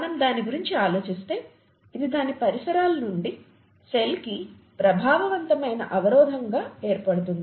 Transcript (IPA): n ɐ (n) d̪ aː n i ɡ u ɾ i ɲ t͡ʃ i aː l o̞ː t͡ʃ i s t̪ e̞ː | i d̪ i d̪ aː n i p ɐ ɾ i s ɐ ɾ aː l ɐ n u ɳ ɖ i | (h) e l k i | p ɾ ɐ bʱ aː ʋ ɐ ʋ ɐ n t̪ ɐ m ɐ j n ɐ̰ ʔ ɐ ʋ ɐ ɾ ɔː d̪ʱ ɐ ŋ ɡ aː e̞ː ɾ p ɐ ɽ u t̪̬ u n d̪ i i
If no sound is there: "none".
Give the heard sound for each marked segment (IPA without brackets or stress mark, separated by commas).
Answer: m, s